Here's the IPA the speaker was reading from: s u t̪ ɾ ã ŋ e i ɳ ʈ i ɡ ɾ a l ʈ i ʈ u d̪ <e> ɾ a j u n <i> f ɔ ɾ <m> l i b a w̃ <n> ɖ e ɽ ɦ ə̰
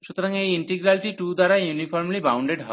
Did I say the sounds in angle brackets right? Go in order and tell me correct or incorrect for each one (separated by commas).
incorrect, correct, correct, incorrect